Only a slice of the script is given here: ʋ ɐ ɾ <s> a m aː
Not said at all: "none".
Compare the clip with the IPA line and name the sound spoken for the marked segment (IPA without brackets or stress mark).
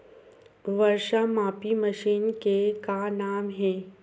ʃ